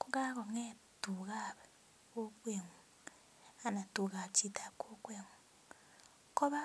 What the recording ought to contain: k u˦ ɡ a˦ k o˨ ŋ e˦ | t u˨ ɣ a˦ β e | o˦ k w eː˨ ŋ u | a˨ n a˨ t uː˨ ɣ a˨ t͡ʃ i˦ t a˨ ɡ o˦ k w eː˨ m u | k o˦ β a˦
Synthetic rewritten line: k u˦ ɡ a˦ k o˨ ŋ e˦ | t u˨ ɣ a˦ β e | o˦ k w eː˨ ŋ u | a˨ n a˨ t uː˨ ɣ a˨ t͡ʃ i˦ t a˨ k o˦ k w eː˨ ŋ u | k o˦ β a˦